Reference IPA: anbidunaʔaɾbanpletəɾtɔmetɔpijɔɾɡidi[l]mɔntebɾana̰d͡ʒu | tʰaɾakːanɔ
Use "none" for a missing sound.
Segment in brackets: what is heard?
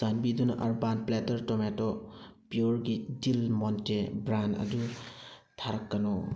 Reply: l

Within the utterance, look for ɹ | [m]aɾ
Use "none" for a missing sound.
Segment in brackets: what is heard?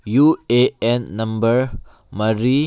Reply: m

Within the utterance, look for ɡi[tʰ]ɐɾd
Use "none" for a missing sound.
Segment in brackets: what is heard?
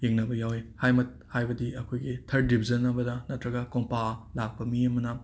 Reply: tʰ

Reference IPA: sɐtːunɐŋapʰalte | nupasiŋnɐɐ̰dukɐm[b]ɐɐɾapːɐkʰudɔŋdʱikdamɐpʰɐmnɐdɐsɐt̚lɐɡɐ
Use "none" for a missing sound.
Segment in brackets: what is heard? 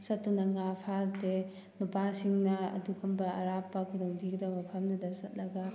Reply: b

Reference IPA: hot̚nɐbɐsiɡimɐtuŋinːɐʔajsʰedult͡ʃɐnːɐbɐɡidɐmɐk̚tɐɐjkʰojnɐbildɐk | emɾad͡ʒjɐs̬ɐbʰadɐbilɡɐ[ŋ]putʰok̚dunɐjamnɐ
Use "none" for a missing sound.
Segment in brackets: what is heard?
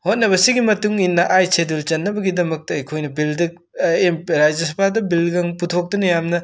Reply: ŋ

